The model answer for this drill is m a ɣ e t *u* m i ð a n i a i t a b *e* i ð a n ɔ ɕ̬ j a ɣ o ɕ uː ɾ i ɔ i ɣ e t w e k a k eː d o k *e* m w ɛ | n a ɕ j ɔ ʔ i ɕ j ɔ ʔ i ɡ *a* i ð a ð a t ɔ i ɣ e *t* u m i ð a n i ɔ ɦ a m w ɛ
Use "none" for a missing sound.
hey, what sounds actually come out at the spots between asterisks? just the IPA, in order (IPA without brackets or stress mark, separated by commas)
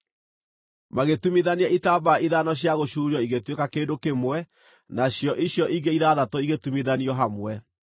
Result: u, a, e, e, t